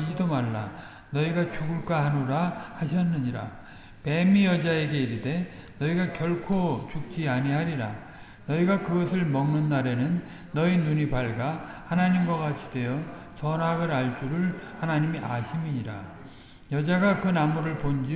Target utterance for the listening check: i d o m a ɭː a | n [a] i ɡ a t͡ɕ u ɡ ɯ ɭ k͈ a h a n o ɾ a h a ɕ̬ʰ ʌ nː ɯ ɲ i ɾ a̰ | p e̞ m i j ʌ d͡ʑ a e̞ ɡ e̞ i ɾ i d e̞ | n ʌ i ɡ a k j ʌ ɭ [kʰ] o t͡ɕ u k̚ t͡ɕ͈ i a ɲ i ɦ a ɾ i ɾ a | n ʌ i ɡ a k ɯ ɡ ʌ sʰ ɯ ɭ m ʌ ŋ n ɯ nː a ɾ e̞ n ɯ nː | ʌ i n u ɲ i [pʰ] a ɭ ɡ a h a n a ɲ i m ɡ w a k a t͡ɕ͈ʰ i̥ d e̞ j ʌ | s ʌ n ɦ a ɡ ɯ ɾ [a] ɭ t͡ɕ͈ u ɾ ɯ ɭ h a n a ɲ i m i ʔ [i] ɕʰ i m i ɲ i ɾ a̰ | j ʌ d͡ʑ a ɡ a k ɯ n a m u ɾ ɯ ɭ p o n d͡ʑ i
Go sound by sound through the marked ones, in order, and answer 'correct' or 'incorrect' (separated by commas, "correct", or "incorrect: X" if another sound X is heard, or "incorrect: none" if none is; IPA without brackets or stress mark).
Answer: incorrect: ʌ, correct, incorrect: p, correct, incorrect: a